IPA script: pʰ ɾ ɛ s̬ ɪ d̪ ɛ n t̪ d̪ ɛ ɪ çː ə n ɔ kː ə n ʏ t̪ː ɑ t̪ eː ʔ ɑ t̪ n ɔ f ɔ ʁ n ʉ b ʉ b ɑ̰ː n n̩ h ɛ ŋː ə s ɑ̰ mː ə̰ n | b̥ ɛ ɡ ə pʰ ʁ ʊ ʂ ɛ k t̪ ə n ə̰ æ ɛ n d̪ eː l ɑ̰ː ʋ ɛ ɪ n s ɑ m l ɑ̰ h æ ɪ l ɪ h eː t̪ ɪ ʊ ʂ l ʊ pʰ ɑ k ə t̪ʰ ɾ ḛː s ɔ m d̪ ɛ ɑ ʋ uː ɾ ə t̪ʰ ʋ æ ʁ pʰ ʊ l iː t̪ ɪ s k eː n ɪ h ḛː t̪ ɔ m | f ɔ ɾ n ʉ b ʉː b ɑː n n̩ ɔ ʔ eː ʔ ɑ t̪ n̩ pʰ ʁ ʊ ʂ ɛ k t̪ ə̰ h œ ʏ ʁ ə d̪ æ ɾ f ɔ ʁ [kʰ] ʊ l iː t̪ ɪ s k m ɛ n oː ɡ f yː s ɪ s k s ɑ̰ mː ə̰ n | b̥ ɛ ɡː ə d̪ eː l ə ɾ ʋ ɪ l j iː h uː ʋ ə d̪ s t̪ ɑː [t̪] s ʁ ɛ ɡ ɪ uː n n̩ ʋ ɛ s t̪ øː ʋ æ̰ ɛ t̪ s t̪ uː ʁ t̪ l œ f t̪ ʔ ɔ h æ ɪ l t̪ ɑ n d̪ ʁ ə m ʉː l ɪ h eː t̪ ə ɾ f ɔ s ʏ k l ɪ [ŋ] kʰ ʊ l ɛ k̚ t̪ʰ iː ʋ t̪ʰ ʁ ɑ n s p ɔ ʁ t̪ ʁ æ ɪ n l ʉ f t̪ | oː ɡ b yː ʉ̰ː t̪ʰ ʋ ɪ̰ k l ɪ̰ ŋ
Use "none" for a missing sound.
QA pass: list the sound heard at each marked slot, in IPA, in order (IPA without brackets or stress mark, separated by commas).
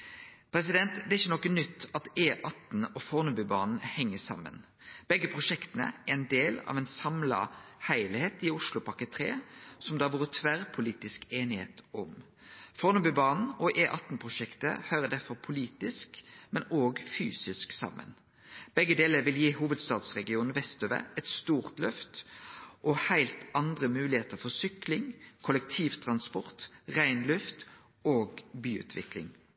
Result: pʰ, d̪, ŋ